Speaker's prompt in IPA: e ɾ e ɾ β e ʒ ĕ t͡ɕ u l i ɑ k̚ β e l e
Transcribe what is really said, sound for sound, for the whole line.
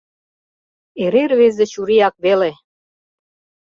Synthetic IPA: e ɾ e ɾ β e z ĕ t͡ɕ u ɾ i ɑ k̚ β e l e